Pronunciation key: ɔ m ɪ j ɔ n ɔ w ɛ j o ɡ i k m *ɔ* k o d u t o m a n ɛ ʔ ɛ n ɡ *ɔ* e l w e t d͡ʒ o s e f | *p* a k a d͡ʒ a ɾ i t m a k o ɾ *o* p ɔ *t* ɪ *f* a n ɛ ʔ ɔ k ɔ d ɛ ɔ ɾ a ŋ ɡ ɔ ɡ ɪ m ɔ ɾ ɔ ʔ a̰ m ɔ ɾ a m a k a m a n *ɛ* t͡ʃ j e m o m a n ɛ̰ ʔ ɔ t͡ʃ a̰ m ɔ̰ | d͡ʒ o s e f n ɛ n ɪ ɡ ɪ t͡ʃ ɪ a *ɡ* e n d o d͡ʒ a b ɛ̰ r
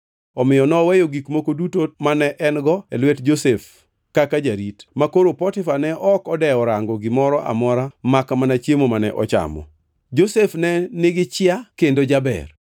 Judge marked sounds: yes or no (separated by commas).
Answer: no, yes, no, yes, yes, yes, no, no